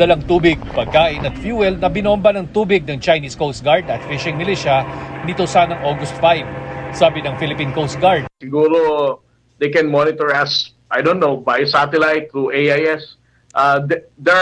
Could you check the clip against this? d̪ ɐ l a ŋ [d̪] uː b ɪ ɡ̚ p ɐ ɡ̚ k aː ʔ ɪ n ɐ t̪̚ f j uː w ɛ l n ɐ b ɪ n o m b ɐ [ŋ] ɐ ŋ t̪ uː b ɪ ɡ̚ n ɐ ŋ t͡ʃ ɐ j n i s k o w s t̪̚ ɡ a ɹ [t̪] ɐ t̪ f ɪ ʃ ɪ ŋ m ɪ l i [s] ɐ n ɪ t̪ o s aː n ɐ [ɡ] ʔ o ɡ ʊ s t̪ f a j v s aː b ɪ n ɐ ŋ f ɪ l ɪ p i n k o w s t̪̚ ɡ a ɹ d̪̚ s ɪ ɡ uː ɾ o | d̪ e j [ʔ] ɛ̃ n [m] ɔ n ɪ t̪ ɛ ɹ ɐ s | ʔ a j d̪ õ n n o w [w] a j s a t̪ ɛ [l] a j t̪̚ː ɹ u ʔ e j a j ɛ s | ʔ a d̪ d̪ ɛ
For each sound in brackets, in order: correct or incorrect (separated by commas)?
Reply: incorrect, incorrect, incorrect, incorrect, incorrect, incorrect, correct, incorrect, correct